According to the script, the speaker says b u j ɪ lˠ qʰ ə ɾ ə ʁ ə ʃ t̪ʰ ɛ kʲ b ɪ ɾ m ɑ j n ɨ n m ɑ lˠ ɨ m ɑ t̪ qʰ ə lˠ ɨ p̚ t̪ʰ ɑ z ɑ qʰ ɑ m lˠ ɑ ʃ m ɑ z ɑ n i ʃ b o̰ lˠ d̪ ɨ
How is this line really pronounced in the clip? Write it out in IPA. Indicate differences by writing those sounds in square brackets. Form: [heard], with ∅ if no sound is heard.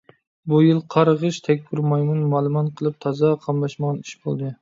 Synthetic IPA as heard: b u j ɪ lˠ qʰ [ɑ] ɾ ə ʁ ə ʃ t̪ʰ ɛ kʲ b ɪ ɾ m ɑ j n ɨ n m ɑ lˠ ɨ m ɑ t̪ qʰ ə lˠ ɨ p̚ t̪ʰ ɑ z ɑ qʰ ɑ m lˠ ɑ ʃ m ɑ [ʁ] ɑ n i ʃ b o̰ lˠ d̪ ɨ